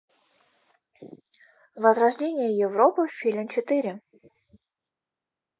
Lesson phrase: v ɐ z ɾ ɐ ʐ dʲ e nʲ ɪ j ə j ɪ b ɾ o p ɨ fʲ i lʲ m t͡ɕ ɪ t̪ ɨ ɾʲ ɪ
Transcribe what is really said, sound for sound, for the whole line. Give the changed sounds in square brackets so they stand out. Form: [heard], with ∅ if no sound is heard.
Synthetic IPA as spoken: v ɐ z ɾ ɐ ʐ dʲ e nʲ ɪ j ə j ɪ [v] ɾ o p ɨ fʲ i lʲ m t͡ɕ ɪ t̪ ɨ ɾʲ ɪ